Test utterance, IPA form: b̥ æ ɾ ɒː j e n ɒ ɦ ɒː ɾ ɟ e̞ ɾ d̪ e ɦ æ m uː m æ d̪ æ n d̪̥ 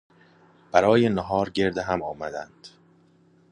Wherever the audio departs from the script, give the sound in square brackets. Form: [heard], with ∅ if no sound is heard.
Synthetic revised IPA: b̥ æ ɾ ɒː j e n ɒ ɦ ɒː ɾ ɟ e̞ ɾ d̪ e ɦ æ m [ɒː] m æ d̪ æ n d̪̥